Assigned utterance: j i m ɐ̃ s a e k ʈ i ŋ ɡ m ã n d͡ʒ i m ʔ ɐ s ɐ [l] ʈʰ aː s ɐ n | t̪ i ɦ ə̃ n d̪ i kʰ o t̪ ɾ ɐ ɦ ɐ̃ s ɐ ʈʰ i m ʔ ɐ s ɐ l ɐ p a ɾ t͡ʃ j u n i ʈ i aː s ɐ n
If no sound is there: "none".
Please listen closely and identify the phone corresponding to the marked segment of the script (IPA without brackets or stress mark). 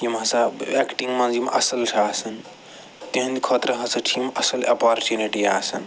l